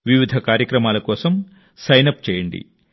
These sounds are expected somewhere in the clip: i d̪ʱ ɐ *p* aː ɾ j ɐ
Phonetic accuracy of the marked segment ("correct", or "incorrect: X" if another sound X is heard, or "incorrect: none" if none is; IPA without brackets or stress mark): incorrect: k